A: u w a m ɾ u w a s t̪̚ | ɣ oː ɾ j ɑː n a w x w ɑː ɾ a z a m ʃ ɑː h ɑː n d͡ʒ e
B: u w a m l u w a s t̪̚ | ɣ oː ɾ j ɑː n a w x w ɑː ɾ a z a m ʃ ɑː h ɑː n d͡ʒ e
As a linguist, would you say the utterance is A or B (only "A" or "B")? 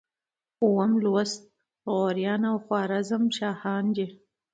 B